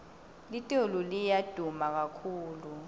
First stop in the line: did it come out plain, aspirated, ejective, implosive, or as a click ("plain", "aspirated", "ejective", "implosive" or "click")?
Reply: ejective